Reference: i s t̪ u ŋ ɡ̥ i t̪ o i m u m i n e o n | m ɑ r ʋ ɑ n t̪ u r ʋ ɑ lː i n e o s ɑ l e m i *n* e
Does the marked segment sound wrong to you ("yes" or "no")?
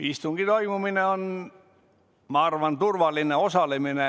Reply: no